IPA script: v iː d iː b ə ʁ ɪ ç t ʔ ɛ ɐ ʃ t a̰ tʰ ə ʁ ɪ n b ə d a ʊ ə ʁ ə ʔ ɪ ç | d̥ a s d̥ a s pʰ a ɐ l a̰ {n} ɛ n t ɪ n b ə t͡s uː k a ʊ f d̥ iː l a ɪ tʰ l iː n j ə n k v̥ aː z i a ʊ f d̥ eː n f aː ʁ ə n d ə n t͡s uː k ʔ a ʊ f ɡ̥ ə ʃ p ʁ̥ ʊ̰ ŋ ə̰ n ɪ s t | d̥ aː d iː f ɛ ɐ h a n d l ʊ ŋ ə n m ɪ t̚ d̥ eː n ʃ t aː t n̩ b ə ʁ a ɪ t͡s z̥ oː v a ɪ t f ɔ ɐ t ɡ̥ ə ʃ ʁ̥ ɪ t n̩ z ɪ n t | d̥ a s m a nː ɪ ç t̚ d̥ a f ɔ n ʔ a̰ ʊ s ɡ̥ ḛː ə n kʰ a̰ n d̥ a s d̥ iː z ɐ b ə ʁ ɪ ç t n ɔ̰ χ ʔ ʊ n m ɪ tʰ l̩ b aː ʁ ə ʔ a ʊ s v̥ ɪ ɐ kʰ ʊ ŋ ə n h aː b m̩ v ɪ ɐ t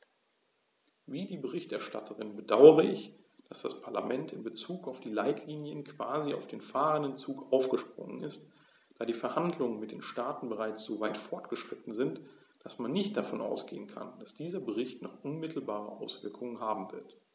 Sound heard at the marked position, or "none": m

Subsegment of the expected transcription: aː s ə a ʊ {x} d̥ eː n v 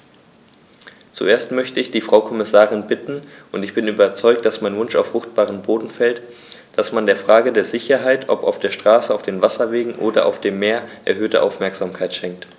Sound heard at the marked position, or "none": f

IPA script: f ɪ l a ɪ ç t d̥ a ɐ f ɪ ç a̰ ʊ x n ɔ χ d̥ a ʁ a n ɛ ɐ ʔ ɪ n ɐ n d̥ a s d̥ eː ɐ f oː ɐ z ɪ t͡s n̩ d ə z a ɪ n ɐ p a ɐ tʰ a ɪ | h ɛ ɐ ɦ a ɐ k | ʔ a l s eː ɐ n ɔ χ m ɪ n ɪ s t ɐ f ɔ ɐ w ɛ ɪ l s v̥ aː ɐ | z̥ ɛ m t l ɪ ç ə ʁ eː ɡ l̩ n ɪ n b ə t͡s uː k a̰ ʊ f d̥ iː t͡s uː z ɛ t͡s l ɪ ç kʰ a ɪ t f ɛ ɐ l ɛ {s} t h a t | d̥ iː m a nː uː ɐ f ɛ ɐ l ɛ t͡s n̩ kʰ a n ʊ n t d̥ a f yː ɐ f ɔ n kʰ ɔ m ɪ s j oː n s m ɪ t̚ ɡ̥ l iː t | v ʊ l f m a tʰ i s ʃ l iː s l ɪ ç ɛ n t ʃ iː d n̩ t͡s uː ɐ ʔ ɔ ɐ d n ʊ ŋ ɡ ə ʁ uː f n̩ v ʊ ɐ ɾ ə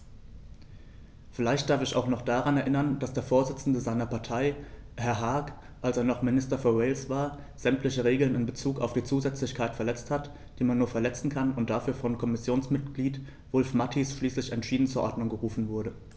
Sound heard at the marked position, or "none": t͡s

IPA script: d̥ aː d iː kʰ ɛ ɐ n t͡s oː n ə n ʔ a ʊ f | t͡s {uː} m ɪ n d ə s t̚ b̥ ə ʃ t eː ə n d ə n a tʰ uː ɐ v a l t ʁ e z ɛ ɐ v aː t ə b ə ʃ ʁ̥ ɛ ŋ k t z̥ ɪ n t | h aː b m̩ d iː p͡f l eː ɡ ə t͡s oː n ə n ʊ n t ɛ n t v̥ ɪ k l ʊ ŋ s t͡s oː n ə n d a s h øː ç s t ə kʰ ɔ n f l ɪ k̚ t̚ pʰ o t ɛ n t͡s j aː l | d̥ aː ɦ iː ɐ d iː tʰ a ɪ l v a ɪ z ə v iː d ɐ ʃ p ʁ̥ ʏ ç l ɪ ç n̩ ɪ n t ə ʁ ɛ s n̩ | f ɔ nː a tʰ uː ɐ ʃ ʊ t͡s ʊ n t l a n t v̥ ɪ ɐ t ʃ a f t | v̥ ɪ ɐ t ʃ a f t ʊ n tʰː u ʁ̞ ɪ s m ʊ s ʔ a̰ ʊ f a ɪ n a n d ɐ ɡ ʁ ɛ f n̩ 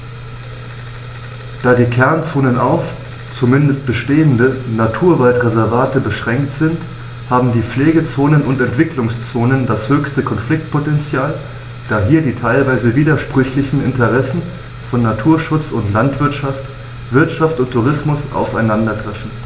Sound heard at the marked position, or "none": u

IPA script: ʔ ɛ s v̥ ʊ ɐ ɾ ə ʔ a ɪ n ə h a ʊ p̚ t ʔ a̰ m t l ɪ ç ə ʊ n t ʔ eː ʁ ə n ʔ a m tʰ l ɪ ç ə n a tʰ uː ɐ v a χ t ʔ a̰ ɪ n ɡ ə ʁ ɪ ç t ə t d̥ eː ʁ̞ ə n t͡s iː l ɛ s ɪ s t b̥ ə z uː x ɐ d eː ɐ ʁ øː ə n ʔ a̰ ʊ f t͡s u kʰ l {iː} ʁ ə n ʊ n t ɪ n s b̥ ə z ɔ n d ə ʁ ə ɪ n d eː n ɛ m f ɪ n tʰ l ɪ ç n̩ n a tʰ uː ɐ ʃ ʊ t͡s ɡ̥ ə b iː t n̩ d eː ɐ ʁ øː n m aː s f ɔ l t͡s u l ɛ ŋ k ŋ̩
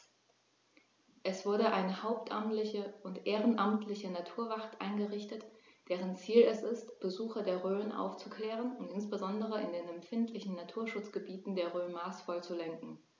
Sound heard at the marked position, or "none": ɛː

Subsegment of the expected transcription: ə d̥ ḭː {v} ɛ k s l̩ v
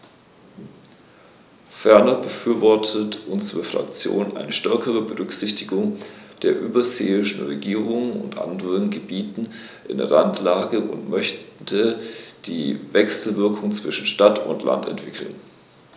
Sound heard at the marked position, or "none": v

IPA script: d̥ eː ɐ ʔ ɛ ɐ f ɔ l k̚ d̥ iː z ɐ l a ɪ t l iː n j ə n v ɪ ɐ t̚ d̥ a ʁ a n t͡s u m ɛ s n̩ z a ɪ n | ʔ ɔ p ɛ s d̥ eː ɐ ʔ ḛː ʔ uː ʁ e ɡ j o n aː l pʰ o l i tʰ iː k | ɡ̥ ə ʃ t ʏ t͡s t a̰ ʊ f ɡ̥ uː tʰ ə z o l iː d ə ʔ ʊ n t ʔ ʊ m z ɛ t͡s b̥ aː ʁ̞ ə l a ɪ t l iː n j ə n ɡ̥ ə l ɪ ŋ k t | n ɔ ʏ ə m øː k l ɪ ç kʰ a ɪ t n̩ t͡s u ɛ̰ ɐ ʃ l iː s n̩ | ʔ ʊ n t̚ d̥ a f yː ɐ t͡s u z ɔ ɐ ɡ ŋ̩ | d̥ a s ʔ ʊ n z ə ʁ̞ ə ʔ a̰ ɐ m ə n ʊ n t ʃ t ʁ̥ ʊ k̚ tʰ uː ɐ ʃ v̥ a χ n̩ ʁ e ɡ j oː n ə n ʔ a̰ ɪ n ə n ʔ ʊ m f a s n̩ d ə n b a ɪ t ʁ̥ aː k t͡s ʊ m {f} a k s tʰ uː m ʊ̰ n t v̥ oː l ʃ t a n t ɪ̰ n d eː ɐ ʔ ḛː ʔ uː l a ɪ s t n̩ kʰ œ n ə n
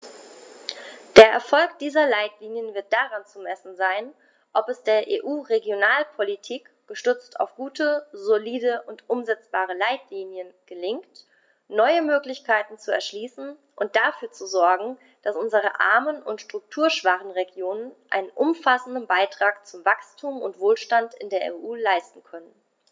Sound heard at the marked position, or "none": v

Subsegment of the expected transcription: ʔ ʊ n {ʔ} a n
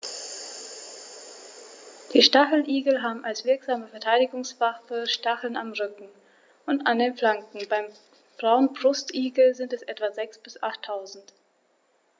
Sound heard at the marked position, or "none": t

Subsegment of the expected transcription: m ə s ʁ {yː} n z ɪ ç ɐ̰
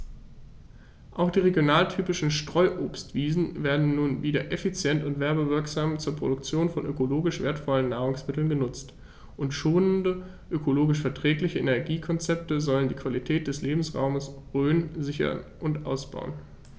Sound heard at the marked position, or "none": øː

